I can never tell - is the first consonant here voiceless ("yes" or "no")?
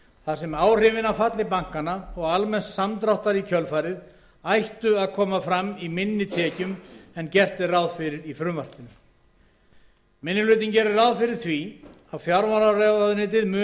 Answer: yes